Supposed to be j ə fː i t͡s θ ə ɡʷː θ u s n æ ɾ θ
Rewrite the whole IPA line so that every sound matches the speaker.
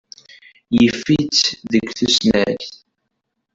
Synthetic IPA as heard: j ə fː i t͡s ð ə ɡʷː θ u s n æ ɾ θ